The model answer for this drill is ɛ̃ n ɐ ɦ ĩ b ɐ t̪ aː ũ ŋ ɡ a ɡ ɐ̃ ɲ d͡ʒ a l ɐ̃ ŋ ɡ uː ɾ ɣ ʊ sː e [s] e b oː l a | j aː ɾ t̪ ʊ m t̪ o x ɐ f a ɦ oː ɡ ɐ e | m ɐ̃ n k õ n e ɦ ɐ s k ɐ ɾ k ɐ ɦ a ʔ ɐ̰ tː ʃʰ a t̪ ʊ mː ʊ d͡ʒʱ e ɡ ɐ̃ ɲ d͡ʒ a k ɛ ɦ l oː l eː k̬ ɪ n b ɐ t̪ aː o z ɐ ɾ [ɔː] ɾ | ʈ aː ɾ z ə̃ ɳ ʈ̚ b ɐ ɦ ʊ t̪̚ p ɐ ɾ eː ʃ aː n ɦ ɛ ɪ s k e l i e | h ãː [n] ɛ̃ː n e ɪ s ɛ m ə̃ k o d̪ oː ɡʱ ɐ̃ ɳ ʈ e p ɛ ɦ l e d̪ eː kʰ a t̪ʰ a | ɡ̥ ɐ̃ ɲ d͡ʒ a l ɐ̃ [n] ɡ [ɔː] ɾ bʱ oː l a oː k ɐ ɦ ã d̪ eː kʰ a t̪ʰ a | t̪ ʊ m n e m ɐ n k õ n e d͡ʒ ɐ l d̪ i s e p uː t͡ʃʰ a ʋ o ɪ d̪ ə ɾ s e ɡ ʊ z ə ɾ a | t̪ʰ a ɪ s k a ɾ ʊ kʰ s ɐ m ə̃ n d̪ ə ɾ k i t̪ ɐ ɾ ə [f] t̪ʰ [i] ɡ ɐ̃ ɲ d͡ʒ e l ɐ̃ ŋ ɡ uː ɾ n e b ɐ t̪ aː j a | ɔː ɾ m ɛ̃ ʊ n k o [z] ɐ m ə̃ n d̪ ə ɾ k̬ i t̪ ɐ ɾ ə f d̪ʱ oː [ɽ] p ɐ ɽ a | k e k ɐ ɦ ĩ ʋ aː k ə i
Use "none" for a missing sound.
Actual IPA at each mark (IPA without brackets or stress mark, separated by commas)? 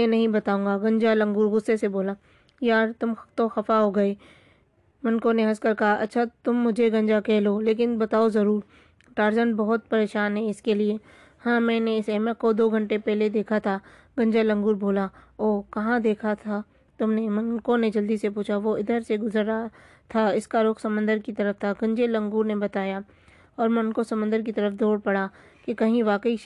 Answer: s, uː, m, ŋ, uː, f, a, s, ɽ